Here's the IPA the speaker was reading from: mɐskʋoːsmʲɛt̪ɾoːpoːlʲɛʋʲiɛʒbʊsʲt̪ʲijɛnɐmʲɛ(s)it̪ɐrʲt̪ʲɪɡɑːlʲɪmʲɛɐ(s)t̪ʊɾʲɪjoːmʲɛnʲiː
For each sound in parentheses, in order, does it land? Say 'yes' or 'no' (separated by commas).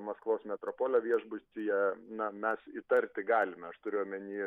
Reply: yes, no